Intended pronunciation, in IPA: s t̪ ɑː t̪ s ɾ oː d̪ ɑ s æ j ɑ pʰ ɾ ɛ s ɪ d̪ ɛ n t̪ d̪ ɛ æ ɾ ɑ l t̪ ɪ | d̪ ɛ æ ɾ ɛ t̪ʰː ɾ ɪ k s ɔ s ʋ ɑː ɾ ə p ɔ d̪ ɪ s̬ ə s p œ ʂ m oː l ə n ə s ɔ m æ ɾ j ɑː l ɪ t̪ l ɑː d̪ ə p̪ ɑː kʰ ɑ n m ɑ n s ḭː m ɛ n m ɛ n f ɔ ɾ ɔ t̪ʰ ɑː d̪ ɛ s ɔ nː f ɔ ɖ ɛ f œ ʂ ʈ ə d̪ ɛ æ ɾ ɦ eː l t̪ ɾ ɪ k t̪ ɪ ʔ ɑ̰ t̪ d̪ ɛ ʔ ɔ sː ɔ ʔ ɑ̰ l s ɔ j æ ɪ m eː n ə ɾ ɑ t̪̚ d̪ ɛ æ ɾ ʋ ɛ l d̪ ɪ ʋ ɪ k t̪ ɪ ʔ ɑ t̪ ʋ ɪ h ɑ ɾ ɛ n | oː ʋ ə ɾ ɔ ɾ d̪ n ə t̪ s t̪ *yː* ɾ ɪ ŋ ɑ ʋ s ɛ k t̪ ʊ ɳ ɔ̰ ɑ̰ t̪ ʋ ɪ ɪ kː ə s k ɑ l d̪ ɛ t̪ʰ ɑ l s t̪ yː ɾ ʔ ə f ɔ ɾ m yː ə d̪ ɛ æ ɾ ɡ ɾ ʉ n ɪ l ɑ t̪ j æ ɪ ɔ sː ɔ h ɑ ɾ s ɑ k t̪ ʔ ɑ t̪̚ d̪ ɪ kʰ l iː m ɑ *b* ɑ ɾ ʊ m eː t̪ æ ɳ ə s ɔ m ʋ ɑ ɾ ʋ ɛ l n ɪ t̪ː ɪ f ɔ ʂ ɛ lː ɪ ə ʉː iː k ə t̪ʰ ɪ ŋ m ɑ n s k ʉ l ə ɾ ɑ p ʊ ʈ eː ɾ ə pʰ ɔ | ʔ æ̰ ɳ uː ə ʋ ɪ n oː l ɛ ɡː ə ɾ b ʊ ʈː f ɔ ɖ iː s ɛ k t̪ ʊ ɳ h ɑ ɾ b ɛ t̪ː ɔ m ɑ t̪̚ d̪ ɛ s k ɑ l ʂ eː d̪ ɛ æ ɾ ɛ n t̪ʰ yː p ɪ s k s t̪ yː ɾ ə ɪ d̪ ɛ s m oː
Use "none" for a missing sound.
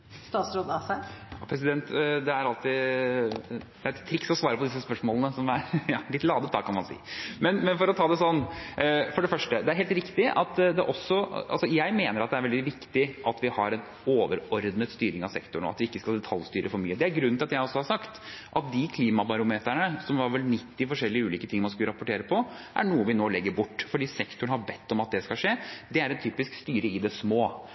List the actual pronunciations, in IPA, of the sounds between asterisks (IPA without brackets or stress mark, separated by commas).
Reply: yː, b